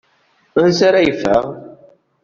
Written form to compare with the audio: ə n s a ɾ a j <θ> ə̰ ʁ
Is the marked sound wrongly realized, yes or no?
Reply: yes